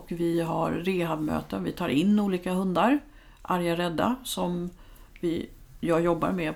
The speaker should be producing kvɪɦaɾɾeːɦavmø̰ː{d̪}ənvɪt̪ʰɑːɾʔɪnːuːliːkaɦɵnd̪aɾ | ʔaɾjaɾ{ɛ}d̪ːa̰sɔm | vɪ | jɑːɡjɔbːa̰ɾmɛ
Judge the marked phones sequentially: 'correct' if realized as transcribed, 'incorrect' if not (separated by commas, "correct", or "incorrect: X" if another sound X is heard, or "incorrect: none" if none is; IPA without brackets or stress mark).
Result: incorrect: t̪, correct